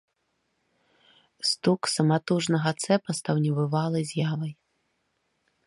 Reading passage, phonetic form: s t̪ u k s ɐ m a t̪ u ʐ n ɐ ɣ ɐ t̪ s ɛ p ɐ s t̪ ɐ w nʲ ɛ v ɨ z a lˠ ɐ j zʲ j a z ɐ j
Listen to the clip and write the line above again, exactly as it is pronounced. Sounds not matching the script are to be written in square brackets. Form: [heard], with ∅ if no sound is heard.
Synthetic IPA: s t̪ u k s ɐ m a t̪ u ʐ n ɐ ɣ ɐ t̪ s ɛ p ɐ s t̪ ɐ w nʲ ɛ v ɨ [v] a lˠ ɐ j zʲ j a [v] ɐ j